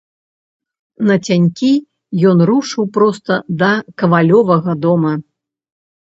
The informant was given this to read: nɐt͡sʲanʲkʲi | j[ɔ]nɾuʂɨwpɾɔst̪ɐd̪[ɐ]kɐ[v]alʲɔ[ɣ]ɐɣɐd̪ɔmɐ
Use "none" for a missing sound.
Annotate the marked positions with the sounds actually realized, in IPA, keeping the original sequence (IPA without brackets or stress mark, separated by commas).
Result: ɔ, ɐ, v, v